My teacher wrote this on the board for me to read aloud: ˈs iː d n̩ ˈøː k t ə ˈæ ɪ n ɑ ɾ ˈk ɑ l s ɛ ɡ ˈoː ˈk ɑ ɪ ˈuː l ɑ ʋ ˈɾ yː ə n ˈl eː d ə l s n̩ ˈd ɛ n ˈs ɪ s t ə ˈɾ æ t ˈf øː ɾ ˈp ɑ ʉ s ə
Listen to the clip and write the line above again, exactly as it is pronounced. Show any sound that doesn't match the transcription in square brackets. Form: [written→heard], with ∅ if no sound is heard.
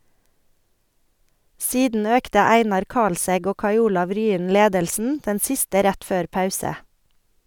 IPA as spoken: ˈs iː d n̩ ˈøː k t ə ˈæ ɪ n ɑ ɾ ˈk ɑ l s ɛ ɡ ˈoː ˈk ɑ ɪ ˈuː l ɑ ʋ ˈɾ yː ə n ˈl eː d ə l s n̩ ˈd ɛ n ˈs ɪ s t ə ˈɾ æ t ˈf øː ɾ ˈp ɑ ʉ s ə